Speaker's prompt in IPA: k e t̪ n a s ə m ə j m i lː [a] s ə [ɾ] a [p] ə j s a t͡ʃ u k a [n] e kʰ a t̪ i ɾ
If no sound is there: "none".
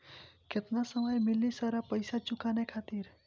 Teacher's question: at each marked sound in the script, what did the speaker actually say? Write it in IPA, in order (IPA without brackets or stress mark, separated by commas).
i, ɾ, p, n